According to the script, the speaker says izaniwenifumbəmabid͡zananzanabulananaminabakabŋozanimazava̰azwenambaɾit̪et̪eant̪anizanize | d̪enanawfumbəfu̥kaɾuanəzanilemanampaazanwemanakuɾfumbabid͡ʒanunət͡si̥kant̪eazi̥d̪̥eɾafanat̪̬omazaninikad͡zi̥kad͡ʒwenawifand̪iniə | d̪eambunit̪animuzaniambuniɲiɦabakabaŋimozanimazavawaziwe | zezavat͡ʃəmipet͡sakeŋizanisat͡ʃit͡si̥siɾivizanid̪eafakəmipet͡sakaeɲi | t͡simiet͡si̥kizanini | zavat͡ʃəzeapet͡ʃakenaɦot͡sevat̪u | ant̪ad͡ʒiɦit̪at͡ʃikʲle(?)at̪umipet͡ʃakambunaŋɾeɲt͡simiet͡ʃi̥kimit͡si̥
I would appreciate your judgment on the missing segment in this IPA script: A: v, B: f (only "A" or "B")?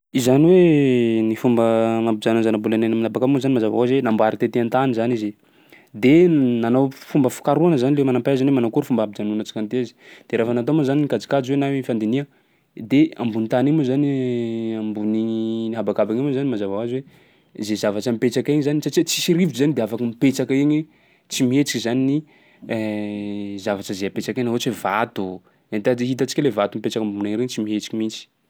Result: A